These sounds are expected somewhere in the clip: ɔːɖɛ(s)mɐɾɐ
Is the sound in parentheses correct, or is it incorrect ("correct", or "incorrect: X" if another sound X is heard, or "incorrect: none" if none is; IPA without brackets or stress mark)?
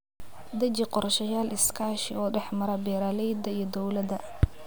incorrect: ħ